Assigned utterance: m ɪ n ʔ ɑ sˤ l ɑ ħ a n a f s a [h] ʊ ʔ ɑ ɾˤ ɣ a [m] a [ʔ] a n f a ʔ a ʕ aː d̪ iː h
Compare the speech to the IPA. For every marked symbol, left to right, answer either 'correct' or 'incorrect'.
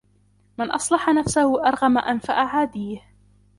correct, correct, correct

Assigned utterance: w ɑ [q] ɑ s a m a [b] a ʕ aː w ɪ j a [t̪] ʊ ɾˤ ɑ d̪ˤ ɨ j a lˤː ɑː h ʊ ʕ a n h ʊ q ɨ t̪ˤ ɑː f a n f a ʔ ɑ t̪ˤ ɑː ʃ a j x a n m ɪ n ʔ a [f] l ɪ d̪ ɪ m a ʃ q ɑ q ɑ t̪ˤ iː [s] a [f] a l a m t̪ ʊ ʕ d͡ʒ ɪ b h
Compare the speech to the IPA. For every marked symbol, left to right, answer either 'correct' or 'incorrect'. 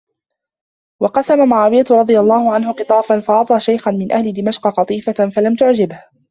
correct, incorrect, correct, incorrect, incorrect, correct

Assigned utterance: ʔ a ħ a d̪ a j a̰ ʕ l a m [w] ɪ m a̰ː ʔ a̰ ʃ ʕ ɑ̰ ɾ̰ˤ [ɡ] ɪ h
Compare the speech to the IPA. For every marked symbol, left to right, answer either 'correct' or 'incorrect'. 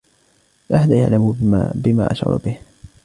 incorrect, incorrect

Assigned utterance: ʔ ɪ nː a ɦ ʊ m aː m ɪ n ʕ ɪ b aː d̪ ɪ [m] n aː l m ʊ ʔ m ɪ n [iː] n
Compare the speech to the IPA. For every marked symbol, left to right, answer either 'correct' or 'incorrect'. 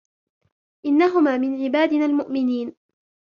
incorrect, correct

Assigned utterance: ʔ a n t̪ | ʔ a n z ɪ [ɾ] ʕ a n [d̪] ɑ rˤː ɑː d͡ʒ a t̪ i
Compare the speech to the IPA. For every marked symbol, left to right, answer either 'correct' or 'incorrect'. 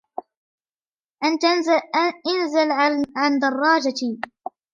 incorrect, correct

